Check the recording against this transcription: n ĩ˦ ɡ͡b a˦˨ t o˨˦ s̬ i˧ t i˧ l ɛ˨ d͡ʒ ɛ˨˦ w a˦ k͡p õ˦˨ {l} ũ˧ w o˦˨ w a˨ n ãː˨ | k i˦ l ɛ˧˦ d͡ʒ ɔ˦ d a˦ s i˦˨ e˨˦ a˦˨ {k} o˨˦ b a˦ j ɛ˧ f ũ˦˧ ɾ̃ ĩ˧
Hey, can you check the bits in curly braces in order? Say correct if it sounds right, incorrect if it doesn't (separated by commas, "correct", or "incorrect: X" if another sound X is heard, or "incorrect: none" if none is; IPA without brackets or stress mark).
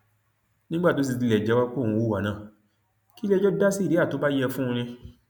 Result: incorrect: none, incorrect: t